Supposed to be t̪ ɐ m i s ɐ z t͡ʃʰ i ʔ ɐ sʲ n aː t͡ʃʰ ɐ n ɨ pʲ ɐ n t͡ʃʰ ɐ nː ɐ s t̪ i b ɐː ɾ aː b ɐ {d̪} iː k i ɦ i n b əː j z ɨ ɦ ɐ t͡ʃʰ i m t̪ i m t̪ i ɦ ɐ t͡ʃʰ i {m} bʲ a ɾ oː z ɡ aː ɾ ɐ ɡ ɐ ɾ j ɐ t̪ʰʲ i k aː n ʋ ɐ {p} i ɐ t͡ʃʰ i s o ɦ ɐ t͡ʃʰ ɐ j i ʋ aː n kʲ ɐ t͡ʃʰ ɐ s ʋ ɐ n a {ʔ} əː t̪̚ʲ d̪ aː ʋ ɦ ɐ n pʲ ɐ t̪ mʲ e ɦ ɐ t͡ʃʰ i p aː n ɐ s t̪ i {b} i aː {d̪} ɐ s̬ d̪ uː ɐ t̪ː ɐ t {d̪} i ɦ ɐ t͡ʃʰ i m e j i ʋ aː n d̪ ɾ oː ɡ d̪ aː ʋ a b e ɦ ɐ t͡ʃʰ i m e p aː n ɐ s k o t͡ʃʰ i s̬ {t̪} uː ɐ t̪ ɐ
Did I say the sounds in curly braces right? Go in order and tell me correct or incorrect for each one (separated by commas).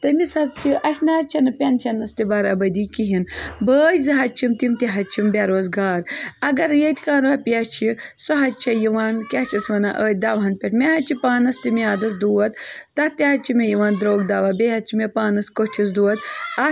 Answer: correct, correct, correct, correct, incorrect, correct, incorrect, incorrect